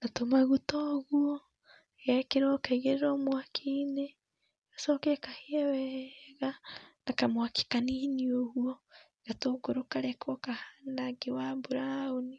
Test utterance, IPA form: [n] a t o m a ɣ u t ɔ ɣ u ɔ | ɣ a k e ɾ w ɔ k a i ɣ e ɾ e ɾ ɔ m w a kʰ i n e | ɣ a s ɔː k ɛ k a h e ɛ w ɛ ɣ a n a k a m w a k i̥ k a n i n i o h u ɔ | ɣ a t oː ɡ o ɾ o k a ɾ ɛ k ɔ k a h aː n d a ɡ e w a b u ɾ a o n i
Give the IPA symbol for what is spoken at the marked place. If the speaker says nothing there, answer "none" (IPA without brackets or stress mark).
n